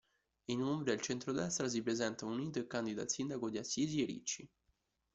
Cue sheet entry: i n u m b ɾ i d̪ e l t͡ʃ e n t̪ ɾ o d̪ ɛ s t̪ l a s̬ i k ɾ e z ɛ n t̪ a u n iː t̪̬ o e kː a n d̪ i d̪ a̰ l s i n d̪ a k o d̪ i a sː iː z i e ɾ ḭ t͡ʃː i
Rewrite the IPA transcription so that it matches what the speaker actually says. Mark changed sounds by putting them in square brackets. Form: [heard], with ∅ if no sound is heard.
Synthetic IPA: i n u m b ɾ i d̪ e l t͡ʃ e n t̪ ɾ o d̪ ɛ s t̪ [ɾ] a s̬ i [p] ɾ e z ɛ n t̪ a u n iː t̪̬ o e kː a n d̪ i d̪ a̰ l s i n d̪ a k o d̪ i a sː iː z i e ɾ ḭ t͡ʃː i